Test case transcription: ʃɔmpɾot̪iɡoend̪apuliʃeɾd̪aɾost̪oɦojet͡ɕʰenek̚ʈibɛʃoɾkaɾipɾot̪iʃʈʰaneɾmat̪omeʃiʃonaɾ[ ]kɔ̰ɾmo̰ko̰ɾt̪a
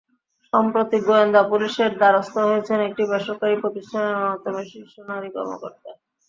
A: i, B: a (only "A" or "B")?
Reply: A